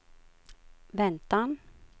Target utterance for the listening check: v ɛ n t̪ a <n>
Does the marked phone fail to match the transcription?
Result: no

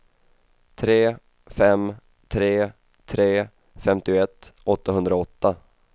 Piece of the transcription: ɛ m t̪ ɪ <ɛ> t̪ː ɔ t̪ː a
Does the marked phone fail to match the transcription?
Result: no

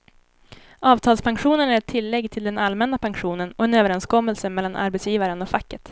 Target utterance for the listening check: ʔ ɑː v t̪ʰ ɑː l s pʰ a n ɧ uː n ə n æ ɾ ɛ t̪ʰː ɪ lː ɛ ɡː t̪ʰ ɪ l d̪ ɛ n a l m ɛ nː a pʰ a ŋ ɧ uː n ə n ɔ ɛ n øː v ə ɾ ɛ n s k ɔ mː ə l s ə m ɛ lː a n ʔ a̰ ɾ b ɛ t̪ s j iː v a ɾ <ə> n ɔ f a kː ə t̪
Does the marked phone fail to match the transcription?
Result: no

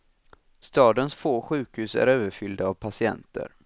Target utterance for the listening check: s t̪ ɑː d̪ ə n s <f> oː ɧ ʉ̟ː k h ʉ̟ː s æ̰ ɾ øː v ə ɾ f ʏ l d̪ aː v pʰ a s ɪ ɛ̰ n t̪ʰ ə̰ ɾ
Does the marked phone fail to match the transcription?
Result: no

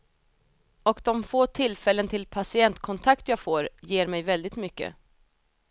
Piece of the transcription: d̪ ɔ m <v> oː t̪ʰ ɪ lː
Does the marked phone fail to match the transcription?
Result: yes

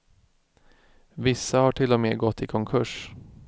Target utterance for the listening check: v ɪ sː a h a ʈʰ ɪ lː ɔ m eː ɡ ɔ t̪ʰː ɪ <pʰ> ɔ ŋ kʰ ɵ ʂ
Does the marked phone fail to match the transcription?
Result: yes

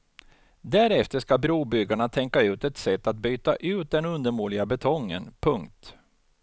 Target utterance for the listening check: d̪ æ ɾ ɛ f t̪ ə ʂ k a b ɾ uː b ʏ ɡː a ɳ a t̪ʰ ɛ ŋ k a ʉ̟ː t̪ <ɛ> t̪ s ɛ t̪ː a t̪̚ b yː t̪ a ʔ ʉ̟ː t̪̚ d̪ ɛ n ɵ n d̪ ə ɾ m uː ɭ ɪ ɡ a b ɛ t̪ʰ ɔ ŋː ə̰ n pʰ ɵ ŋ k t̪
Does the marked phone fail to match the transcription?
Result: no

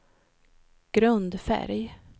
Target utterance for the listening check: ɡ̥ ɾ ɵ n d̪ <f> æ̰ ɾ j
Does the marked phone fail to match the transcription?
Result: no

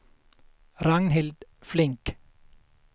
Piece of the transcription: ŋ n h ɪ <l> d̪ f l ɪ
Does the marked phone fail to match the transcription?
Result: no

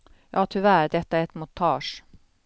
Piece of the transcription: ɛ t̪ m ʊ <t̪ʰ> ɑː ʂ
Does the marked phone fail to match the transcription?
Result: no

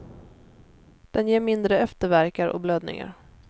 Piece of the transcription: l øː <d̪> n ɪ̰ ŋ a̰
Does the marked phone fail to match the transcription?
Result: no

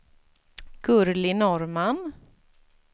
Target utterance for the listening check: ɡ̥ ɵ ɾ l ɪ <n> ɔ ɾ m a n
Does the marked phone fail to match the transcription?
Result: no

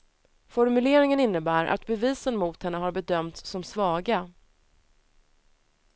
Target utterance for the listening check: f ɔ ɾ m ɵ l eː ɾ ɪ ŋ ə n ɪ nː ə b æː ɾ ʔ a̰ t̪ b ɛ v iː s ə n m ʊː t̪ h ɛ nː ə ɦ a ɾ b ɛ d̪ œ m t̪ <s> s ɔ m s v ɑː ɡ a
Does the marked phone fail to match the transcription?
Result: no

